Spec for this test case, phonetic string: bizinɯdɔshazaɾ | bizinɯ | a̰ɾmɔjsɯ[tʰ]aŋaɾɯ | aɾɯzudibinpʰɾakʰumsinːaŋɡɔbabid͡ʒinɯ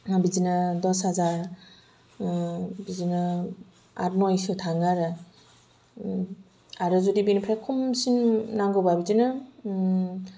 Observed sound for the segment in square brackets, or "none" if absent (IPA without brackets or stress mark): tʰ